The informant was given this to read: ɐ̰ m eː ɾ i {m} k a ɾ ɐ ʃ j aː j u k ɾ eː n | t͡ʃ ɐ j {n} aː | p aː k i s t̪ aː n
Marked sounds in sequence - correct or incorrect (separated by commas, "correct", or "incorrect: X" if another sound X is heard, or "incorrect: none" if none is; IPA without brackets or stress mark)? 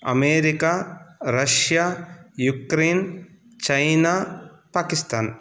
incorrect: none, correct